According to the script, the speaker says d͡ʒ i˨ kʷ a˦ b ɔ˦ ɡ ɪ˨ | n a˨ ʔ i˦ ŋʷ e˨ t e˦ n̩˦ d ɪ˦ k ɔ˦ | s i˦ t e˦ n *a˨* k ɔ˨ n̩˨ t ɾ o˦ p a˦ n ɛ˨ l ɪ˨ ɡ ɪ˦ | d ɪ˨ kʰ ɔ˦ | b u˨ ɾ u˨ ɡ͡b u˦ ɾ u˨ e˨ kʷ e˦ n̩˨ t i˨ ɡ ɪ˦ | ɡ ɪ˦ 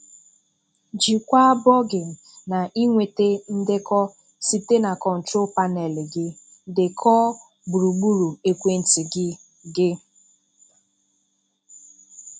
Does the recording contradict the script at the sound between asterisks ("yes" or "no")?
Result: no